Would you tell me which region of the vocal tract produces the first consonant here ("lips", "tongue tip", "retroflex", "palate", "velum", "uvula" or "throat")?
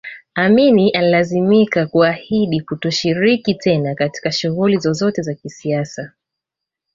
lips